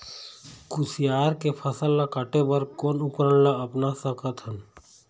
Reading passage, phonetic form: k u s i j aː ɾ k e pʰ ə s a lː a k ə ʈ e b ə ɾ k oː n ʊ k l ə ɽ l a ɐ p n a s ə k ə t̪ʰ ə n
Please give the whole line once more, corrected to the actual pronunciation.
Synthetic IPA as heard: k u s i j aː ɾ k e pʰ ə s ə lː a k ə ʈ e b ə ɾ k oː n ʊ k ɾ ə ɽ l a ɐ p n a s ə k ə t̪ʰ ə n